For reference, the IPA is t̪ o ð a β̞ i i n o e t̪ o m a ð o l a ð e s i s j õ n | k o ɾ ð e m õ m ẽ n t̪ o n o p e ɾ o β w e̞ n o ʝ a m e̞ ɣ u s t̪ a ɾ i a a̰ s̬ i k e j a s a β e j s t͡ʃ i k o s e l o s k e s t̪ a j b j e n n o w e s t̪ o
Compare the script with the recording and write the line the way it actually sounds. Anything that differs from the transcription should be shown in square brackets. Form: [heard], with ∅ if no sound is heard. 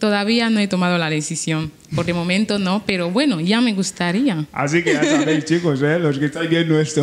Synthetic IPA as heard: t̪ o ð a β̞ i [a] n o e t̪ o m a ð o l a ð e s i s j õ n | [p] o ɾ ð e m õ m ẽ n t̪ o n o p e ɾ o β w e̞ n o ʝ a m e̞ ɣ u s t̪ a ɾ i a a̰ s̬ i k e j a s a β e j s t͡ʃ i k o s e l o s k e s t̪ a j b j e n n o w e s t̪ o